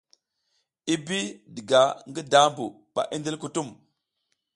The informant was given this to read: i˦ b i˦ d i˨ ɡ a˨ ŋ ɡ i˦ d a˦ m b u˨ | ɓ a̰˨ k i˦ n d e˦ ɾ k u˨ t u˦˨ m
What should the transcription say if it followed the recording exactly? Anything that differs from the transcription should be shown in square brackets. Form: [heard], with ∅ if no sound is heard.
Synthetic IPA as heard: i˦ b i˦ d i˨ ɡ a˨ ŋ ɡ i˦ d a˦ m b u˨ | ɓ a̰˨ [ʔ] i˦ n d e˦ [l] k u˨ t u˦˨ m